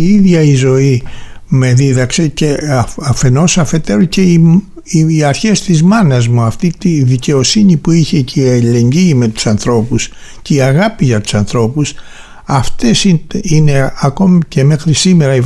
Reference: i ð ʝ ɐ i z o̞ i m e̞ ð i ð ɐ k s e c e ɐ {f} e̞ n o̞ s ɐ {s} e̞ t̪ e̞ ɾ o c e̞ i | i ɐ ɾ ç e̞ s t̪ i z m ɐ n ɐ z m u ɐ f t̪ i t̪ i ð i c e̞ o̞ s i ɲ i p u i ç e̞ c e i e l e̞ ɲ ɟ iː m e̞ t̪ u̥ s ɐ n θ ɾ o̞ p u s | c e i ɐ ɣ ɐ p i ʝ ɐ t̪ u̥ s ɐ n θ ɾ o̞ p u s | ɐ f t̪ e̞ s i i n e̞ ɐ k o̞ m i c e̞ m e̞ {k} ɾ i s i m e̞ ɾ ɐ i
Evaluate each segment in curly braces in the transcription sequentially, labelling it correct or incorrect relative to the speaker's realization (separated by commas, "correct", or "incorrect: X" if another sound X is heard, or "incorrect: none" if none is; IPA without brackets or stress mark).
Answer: correct, incorrect: f, incorrect: x